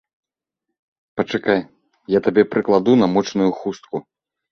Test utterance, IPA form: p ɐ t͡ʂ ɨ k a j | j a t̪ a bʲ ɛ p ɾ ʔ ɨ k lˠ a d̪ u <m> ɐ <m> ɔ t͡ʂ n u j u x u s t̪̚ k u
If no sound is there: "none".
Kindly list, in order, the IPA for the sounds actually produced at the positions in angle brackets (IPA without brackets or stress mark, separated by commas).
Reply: n, m